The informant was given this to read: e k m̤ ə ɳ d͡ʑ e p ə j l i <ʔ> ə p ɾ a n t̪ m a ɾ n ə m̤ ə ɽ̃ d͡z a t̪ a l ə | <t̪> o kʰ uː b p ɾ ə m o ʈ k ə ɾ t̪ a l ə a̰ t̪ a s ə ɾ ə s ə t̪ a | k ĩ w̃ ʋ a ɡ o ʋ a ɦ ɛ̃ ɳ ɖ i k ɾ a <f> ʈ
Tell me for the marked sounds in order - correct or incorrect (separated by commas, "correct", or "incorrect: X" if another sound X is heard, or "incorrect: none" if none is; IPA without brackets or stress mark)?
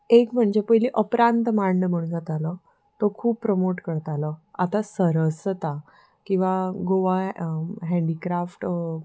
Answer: correct, correct, correct